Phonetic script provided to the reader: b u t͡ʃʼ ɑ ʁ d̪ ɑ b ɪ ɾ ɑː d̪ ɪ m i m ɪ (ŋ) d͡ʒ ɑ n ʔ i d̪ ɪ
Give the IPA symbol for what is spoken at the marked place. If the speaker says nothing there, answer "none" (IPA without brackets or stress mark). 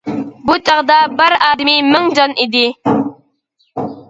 ŋ